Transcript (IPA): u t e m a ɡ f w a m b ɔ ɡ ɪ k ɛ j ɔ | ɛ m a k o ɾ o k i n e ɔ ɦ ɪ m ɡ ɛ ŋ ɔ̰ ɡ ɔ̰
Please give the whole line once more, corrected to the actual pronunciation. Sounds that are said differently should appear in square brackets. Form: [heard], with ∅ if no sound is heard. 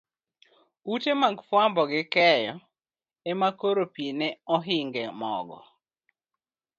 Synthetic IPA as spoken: u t e m a ɡ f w a m b ɔ ɡ ɪ k ɛ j ɔ | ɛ m a k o ɾ o [p] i n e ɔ ɦ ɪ [ŋ] ɡ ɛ [m] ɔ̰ ɡ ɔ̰